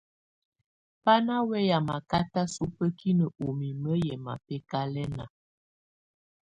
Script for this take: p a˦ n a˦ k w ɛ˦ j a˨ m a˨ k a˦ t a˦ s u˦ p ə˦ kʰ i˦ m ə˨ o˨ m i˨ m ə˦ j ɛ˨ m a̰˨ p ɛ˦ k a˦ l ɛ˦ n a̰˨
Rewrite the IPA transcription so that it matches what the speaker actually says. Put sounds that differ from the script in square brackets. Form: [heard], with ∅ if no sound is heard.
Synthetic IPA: p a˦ n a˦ [∅] w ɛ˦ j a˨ m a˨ k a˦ t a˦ s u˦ p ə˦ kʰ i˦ [n] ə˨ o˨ m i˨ m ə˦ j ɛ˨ m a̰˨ p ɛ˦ k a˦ l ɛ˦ n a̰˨

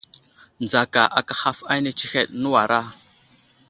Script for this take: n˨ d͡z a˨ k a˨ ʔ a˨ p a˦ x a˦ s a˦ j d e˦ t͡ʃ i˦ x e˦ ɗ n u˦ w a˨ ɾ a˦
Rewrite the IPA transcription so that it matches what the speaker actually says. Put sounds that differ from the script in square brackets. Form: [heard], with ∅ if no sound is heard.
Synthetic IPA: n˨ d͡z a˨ k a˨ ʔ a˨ [k] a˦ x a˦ [f] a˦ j [n] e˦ t͡ʃ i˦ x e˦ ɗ n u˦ w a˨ ɾ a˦

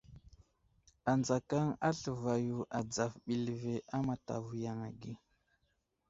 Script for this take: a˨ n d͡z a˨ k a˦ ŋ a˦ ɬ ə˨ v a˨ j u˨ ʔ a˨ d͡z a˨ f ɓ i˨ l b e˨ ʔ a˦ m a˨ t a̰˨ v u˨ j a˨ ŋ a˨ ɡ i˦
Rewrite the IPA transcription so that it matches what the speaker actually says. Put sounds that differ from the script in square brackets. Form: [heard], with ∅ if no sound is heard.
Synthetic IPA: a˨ n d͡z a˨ k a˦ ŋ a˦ ɬ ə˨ v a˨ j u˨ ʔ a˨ d͡z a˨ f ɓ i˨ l [v] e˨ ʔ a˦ m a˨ t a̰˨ v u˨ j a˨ ŋ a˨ ɡ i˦

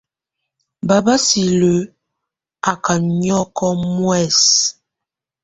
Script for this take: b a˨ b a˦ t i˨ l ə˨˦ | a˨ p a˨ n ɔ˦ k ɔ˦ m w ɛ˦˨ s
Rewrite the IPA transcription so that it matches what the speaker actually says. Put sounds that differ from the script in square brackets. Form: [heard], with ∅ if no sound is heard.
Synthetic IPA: b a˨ b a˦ [s] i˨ l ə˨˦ | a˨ [k] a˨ [ɲ] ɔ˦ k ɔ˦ m w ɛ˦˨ s

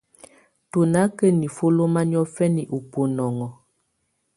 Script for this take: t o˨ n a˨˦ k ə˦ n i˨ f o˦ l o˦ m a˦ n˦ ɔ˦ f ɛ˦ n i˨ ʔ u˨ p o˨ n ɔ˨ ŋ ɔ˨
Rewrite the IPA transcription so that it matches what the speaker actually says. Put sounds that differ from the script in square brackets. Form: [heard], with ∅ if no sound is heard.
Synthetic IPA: t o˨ n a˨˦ k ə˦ n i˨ f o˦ l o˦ m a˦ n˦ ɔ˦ f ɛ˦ n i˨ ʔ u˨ p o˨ n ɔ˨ ŋ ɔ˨

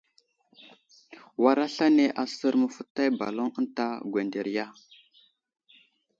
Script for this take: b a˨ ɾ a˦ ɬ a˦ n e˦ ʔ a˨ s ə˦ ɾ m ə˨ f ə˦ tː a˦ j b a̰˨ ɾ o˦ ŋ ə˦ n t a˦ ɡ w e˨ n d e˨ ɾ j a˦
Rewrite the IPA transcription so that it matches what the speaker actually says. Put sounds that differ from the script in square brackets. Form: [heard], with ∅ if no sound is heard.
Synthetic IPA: [w] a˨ ɾ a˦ ɬ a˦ n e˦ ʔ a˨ s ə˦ ɾ m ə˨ f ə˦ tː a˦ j b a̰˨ [l] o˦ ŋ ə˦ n t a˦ ɡ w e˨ n d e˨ ɾ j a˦

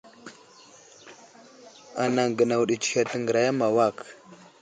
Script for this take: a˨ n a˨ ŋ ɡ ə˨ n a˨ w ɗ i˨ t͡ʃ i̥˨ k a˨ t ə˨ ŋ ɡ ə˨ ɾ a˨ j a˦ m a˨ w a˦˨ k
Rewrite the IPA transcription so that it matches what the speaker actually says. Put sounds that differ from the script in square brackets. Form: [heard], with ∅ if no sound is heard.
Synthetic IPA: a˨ n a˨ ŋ ɡ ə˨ n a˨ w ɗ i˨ t͡ʃ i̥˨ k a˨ t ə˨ ŋ ɡ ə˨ ɾ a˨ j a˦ m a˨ w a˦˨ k

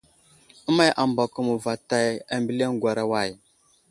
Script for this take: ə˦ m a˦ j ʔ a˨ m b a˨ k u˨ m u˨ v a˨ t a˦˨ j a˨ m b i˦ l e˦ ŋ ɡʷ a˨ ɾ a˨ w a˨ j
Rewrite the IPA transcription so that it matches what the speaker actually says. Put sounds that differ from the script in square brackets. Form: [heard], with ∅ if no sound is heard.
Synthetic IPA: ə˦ m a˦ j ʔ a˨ m b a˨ k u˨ m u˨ v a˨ t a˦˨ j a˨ m b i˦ l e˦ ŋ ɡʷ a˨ ɾ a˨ w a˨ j

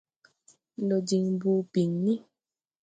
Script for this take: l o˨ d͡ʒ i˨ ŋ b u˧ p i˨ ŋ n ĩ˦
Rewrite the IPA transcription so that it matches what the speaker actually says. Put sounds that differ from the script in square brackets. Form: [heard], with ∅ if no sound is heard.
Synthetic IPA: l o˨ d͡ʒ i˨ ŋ b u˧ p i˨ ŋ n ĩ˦

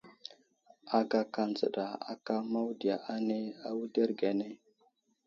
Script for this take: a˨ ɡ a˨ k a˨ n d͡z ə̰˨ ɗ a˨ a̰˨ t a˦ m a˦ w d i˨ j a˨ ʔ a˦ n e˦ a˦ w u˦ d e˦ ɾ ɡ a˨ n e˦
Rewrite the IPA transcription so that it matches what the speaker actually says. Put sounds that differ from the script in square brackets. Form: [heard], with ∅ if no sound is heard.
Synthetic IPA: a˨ ɡ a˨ k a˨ n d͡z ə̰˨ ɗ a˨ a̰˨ [k] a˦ m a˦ w d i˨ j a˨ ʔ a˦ n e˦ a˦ w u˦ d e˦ ɾ ɡ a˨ n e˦

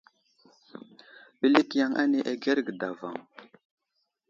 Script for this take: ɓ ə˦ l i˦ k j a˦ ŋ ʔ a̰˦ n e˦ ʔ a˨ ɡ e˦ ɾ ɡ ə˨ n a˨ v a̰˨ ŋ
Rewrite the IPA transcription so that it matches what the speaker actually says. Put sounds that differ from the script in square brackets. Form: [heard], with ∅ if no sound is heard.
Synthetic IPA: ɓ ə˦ l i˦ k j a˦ ŋ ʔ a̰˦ n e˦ ʔ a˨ ɡ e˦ ɾ ɡ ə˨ [d] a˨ v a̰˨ ŋ

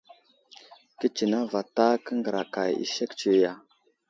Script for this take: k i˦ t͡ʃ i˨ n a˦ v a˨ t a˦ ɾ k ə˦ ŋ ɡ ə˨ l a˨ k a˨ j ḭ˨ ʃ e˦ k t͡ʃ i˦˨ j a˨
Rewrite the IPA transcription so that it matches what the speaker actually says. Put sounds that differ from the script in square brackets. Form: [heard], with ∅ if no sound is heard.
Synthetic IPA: k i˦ t͡ʃ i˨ n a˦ v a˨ t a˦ [∅] k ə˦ ŋ ɡ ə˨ [ɾ] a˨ k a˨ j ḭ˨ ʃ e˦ k t͡ʃ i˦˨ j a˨

